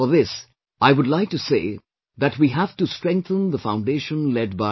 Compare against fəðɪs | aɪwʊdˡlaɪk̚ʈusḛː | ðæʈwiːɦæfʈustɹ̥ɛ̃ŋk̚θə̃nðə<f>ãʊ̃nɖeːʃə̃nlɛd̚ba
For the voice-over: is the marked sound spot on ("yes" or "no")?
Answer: yes